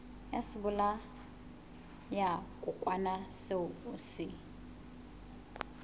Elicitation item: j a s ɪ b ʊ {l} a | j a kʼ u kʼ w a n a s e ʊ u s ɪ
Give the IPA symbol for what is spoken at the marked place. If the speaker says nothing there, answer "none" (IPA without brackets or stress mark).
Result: l